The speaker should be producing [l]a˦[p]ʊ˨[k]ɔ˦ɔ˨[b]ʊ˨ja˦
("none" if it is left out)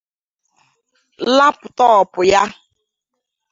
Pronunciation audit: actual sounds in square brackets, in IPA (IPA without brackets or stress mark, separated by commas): l, p, t, p